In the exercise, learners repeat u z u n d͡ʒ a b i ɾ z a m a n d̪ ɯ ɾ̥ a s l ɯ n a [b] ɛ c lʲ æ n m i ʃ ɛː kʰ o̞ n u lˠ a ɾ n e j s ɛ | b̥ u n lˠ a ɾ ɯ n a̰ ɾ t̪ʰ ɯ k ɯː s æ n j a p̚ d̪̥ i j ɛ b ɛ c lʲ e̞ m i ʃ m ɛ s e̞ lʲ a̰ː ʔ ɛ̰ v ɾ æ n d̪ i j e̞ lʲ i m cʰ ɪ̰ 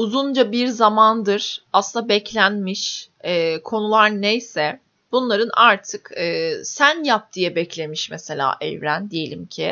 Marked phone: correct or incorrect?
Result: correct